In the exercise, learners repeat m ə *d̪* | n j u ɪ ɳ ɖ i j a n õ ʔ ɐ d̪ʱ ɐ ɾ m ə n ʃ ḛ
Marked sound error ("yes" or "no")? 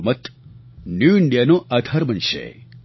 yes